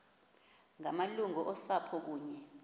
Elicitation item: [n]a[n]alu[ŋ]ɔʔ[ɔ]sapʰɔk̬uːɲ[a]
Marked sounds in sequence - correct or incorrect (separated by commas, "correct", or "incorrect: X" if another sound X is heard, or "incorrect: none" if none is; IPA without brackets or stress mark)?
incorrect: ŋ, incorrect: m, correct, correct, incorrect: ɛ